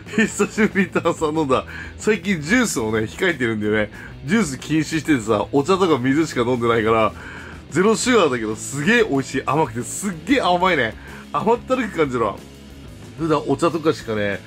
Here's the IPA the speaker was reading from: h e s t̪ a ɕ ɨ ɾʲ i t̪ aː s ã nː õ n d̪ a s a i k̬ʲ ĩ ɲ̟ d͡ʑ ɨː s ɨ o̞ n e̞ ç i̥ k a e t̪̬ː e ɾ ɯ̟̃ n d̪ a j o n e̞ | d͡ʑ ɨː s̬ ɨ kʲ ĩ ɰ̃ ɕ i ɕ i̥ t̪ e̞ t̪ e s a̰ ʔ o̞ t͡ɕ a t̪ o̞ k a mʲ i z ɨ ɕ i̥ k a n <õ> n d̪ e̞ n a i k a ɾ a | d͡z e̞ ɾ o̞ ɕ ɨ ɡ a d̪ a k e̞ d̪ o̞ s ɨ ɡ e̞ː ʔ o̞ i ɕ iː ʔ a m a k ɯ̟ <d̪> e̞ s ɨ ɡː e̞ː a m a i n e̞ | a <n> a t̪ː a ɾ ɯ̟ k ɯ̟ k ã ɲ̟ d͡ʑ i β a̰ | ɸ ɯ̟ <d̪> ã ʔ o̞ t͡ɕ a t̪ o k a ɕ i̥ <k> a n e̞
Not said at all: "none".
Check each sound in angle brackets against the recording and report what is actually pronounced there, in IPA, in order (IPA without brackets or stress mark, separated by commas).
õ, t̪, m, d̪, k